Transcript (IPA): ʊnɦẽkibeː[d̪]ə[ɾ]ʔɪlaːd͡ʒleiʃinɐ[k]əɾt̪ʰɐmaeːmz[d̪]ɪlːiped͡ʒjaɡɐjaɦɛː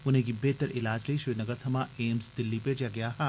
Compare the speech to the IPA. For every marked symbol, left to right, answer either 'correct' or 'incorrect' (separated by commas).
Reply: incorrect, correct, incorrect, correct